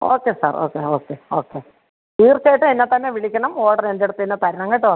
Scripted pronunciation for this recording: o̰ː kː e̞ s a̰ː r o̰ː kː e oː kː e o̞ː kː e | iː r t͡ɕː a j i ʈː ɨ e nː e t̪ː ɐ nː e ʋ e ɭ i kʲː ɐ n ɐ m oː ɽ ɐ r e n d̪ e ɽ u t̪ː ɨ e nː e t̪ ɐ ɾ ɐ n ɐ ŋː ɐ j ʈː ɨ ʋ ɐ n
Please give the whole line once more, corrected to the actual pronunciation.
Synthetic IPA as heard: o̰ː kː e̞ s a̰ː r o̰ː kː e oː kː e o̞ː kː e | iː r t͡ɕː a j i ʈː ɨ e nː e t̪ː ɐ nː e ʋ i ɭ i kʲː ɐ ɳ ɐ m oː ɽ ɐ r e n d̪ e ɽ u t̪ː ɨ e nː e t̪ ɐ ɾ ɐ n ɐ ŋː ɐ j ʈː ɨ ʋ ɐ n